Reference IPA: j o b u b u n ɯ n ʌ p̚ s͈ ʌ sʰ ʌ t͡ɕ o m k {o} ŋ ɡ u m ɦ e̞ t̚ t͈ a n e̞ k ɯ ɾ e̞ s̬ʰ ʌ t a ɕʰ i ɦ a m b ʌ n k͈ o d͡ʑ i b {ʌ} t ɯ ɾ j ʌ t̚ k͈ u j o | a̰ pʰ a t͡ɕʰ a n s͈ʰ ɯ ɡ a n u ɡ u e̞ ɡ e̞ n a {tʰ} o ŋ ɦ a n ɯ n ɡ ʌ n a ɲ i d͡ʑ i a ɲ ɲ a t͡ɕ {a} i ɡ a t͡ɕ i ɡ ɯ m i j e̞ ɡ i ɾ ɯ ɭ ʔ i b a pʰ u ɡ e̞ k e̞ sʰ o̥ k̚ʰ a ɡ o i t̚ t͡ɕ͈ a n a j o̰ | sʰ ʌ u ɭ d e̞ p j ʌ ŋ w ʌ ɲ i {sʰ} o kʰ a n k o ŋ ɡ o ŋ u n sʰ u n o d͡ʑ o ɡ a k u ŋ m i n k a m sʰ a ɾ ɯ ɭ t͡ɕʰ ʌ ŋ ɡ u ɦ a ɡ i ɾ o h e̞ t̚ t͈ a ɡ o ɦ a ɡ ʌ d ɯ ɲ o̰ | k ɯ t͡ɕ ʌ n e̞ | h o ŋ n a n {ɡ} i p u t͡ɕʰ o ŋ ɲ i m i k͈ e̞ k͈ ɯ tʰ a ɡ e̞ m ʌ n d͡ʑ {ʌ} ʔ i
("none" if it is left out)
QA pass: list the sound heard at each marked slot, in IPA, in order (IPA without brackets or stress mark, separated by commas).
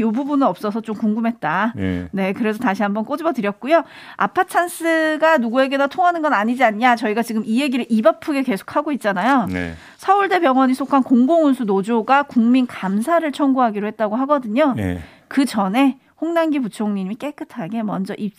u, ʌ, tʰ, ʌ, sʰ, ɡ, ʌ